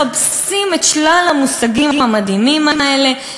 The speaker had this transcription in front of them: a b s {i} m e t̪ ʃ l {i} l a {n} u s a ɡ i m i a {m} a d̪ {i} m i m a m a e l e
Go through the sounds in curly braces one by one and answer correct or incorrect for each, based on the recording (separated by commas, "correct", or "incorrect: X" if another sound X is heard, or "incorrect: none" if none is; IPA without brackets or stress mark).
correct, incorrect: a, incorrect: m, correct, correct